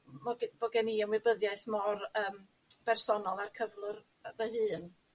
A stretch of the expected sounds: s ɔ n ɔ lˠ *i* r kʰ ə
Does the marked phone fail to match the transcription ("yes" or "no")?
yes